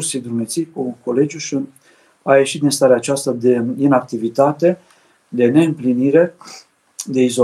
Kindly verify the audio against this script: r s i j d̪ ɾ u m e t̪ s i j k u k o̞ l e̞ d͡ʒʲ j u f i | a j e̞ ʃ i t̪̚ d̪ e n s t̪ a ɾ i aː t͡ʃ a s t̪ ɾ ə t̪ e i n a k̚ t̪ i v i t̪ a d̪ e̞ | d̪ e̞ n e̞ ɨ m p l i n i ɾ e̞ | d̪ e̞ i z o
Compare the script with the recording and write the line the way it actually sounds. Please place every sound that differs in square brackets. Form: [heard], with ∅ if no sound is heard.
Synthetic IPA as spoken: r s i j d̪ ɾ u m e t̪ s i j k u k o̞ l e̞ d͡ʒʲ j u [ʃ] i | a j e̞ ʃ i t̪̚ d̪ [i] n s t̪ a ɾ [e] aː t͡ʃ a s t̪ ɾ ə [d̪] e i n a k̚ t̪ i v i t̪ a [t̪] e̞ | d̪ e̞ n e̞ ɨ m p l i n i ɾ e̞ | d̪ e̞ i z o